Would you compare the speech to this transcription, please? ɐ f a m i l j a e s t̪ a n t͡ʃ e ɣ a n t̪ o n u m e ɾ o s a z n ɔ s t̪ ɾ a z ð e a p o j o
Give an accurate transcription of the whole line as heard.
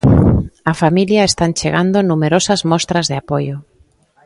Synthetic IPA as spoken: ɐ f a m i l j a e s t̪ a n t͡ʃ e ɣ a n d̪ o n u m e ɾ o s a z m ɔ s t̪ ɾ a z ð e a p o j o